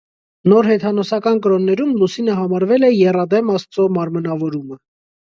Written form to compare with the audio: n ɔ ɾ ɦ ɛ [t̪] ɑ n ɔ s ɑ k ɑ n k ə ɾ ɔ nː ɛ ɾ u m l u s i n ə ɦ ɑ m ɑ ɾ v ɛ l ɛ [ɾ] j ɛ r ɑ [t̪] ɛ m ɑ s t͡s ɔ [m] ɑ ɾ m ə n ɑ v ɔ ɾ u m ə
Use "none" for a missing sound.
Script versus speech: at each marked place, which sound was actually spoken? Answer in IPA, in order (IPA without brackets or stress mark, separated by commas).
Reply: t̪ʰ, none, d̪, m